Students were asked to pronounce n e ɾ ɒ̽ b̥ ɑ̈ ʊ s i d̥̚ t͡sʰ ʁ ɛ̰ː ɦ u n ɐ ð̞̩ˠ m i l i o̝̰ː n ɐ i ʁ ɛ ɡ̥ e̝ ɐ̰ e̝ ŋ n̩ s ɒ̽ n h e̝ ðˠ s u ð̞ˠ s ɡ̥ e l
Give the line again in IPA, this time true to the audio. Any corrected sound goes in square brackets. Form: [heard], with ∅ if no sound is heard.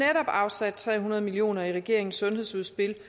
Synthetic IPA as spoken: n e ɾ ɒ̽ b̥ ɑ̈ ʊ s [æ] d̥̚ t͡sʰ ʁ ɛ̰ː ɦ u n ɐ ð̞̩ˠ m i l i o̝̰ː n ɐ i ʁ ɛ ɡ̥ e̝ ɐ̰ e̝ ŋ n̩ s [ɔ̽] n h e̝ ðˠ s u ð̞ˠ s [b̥] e l